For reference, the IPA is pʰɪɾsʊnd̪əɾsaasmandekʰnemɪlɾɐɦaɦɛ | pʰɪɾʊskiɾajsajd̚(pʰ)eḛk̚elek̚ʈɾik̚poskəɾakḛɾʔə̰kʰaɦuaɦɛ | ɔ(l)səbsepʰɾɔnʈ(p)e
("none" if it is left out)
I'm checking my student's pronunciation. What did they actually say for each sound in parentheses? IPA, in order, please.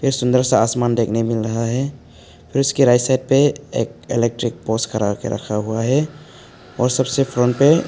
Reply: p, ɾ, p

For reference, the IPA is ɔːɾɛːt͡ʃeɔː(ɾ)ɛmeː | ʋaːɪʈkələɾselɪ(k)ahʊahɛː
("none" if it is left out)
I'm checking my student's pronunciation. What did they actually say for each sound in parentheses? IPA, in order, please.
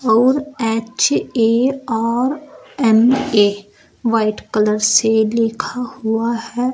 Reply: ɾ, kʰ

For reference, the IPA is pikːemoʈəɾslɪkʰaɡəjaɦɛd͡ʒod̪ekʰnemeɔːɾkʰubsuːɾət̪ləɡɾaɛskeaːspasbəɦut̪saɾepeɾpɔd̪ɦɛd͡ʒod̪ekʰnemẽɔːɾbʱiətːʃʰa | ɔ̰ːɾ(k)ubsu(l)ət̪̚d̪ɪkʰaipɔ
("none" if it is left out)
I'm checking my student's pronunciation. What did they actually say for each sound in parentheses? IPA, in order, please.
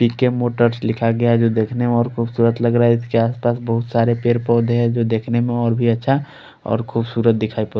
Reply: kʰ, ɾ

